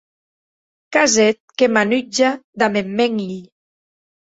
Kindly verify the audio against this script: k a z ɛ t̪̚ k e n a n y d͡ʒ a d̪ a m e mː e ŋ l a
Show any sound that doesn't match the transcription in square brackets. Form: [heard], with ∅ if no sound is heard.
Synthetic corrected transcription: k a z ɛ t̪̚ k e [m] a n y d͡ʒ a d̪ a m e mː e ŋ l [i]